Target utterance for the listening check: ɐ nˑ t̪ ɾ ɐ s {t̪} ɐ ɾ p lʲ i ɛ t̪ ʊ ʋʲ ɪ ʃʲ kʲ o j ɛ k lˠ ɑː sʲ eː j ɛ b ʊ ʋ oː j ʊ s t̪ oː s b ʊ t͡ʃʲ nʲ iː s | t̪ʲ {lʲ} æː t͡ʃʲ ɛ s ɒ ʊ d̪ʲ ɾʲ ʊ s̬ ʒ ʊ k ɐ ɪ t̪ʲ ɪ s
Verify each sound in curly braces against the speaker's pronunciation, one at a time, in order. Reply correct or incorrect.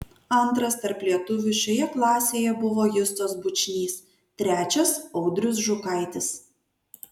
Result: correct, incorrect: ɾʲ

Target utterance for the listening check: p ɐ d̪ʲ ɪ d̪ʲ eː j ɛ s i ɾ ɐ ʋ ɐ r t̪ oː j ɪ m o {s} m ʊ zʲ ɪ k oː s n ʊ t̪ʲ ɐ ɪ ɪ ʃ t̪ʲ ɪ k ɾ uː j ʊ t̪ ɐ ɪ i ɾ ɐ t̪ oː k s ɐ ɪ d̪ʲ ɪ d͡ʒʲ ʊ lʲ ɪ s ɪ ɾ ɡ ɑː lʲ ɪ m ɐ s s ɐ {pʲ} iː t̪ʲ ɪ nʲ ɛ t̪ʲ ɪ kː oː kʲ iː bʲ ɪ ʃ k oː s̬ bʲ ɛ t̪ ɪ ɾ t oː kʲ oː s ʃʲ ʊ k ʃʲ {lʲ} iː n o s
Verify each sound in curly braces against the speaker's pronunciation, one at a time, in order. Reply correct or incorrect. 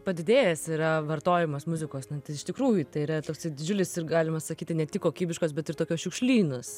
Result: correct, incorrect: kʲ, correct

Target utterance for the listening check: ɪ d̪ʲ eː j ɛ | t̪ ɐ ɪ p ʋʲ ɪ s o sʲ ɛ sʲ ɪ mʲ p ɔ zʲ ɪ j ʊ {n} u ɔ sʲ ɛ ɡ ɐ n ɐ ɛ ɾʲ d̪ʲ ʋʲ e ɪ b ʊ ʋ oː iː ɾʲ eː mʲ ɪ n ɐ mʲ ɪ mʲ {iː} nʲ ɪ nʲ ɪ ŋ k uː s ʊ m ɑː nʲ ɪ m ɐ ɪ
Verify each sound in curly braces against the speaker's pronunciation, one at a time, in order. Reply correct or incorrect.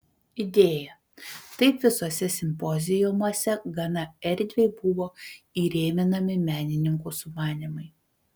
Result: incorrect: m, incorrect: æː

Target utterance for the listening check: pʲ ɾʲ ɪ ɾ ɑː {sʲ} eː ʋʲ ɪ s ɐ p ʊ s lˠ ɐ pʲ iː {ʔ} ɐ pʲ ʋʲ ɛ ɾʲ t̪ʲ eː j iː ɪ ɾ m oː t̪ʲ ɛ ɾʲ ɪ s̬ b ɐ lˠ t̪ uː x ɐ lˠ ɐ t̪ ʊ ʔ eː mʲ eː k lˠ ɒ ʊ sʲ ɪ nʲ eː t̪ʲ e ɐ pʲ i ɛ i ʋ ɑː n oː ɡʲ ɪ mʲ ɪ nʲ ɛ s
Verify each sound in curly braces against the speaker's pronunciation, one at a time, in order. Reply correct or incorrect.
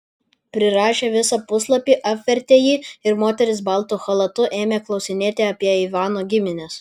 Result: incorrect: ʃʲ, correct

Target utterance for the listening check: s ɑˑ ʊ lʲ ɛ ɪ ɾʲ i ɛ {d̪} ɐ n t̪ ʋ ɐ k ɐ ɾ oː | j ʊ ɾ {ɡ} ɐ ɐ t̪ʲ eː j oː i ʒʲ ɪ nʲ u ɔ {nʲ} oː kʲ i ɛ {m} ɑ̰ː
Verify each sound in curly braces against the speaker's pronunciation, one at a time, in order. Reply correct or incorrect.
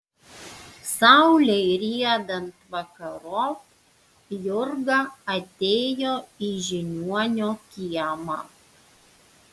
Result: correct, correct, correct, correct

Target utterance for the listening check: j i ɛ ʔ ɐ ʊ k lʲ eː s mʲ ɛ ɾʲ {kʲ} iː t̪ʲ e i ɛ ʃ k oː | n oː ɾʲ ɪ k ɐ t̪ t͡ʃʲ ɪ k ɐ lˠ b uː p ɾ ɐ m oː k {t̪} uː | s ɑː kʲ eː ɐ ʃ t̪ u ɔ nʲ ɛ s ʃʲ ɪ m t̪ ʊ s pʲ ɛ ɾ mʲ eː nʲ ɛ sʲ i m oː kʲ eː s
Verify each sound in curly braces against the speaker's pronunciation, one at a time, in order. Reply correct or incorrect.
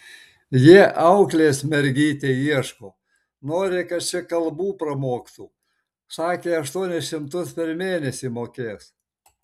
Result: incorrect: ɡʲ, correct

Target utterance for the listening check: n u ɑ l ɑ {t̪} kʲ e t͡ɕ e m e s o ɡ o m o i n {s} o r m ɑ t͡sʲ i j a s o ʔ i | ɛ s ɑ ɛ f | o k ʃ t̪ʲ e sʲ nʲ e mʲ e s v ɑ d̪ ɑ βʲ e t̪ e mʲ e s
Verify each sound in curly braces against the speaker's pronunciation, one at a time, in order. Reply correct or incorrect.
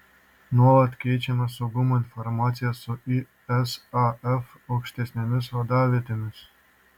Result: correct, incorrect: f

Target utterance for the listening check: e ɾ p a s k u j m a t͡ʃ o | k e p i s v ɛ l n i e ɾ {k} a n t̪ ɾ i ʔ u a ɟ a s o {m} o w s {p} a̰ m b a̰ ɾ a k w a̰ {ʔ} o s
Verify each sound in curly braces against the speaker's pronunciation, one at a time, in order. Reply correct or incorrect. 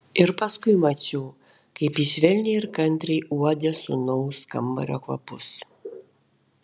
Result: correct, incorrect: n, incorrect: k, incorrect: p

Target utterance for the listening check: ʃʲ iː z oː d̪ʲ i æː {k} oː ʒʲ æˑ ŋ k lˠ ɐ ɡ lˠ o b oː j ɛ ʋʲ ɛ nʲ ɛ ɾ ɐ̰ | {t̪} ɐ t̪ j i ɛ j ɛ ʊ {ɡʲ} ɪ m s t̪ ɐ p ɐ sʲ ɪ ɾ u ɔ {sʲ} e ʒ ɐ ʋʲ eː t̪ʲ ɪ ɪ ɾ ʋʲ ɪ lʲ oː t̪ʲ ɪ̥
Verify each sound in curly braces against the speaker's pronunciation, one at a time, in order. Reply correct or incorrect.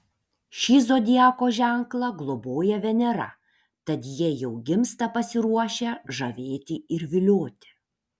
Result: correct, correct, correct, incorrect: ʃʲ

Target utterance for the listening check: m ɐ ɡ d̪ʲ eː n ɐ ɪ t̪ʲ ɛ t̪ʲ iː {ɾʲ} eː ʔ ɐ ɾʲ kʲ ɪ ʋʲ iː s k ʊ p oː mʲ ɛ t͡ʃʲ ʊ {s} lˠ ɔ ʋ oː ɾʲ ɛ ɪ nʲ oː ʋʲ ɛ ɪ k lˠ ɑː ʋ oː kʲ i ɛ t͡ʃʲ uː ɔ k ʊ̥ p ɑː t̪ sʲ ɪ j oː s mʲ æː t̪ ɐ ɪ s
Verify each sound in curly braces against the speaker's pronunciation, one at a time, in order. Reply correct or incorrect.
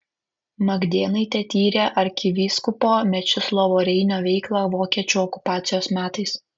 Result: correct, correct

